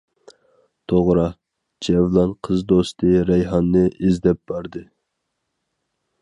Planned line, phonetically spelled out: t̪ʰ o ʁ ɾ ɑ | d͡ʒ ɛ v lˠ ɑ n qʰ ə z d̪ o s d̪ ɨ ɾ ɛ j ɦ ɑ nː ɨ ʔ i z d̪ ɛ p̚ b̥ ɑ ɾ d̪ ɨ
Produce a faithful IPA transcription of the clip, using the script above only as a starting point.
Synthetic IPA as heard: t̪ʰ o ʁ ɾ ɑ | d͡ʒ ɛ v lˠ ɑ n qʰ ə z d̪ o s t̪ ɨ ɾ ɛ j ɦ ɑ nː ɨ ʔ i z d̪ ɛ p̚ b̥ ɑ ɾ d̪ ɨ